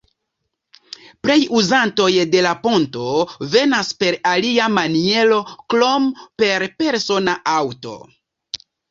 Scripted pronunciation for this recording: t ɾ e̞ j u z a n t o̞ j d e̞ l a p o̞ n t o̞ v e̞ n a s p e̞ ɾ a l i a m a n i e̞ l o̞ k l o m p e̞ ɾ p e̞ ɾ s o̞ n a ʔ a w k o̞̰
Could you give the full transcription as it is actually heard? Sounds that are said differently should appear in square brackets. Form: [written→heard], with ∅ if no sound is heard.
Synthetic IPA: [t→p] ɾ e̞ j u z a n t o̞ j d e̞ l a p o̞ n t o̞ v e̞ n a s p e̞ ɾ a l i a m a n i e̞ l o̞ k l o m p e̞ ɾ p e̞ ɾ s o̞ n a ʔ a w [k→t] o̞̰